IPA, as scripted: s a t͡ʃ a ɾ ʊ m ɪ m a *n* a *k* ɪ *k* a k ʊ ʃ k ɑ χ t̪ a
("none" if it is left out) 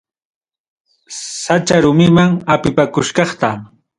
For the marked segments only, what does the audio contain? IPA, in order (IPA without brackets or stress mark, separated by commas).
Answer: ŋ, p, p